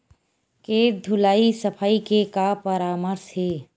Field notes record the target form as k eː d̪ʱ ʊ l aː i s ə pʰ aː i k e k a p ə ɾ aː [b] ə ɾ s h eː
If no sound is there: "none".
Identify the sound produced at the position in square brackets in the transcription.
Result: m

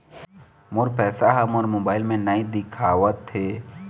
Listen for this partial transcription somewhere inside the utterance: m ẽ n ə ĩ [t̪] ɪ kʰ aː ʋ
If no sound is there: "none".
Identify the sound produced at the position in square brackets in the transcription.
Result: d̪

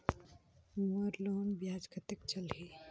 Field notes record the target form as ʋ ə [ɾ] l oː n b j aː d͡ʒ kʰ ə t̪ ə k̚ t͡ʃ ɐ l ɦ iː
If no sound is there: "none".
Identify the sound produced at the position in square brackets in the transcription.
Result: ɾ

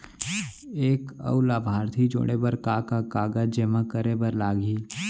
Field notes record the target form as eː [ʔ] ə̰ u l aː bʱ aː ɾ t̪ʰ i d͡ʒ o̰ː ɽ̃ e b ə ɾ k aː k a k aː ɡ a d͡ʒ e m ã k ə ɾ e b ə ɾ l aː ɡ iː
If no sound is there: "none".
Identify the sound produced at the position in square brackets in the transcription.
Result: k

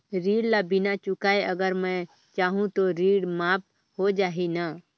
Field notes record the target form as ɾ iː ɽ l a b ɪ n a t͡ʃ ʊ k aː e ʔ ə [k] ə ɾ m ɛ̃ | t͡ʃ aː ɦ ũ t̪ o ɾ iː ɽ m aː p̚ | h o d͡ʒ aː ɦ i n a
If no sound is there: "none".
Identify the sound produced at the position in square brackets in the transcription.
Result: ɡ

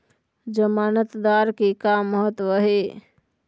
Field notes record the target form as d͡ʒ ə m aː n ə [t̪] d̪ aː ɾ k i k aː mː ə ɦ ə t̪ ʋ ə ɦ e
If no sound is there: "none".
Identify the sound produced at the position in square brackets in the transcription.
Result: t̪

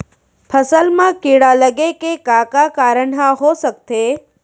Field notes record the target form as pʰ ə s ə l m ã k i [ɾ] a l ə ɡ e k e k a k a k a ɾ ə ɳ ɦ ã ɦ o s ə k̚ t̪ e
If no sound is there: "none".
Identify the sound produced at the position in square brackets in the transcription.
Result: ɽ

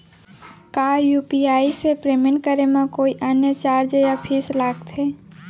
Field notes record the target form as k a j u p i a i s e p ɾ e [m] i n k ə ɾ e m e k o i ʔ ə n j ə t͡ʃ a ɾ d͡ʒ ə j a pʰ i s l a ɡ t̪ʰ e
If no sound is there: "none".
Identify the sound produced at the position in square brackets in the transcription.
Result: m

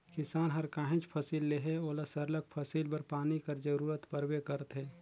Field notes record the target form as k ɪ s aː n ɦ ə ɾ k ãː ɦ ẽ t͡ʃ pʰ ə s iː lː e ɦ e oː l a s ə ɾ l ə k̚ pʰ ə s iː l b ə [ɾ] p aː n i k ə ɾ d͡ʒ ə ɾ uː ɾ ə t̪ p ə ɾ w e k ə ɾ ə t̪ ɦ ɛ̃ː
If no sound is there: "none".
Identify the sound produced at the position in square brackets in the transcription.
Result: ɾ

